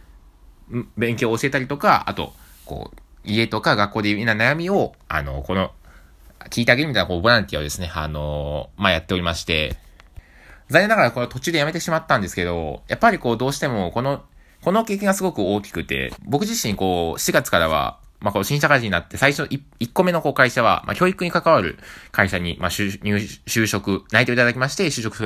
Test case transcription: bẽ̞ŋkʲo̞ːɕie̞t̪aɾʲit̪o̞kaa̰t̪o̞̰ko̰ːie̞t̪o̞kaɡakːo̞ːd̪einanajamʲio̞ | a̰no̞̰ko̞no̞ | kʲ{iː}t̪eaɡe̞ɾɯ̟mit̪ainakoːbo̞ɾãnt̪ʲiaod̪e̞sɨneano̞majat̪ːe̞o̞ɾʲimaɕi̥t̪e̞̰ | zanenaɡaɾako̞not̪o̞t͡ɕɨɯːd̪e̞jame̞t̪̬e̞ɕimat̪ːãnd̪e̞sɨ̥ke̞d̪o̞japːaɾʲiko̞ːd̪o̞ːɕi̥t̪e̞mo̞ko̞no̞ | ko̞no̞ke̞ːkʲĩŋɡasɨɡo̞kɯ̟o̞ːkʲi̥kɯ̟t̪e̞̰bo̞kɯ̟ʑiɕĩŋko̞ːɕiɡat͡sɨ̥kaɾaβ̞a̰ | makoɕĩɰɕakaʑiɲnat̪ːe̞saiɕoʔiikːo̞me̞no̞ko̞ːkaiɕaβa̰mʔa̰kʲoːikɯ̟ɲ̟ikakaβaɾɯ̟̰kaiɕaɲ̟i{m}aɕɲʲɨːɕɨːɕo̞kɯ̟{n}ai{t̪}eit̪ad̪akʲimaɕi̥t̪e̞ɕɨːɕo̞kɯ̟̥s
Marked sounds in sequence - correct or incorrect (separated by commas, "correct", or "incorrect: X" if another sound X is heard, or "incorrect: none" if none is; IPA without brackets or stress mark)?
correct, correct, correct, correct